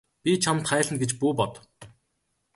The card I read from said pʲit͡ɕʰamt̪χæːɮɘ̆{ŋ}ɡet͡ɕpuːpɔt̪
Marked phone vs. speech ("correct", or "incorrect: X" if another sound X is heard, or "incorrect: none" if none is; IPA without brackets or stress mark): incorrect: n